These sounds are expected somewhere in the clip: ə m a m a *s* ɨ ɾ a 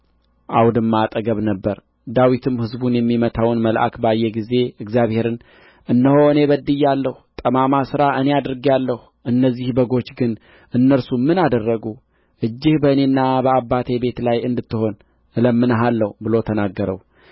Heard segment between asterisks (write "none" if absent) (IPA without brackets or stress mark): s